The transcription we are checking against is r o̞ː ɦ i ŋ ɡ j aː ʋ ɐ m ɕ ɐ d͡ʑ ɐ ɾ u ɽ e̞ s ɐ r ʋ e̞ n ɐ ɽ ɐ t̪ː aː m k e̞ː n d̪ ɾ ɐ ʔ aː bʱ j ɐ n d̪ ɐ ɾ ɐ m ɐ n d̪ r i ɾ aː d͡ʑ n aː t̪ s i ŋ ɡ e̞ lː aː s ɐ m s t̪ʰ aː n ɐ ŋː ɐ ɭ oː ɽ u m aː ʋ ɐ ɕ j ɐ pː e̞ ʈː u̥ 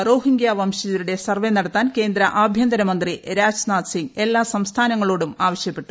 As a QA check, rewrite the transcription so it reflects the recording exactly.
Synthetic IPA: r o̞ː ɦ i ŋ ɡ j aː ʋ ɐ m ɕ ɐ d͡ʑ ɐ ɾ u ɽ e̞ s ɐ r ʋ e̞ n ɐ ɽ ɐ t̪ː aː n k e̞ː n d̪ ɾ ɐ ʔ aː bʱ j ɐ n d̪ ɐ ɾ ɐ m ɐ n d̪ r i ɾ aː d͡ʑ n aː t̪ s i ŋ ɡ e̞ lː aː s ɐ m s t̪ʰ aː n ɐ ŋː ɐ ɭ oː ɽ u m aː ʋ ɐ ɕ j ɐ pː e̞ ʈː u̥